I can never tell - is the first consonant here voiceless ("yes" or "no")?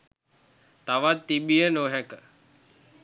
yes